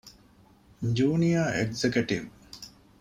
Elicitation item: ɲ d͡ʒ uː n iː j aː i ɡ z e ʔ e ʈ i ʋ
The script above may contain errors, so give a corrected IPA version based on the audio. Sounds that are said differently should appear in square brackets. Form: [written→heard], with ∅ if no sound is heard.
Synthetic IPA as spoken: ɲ d͡ʒ uː n [iː→i] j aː [i→e] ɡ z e [ʔ→k] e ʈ i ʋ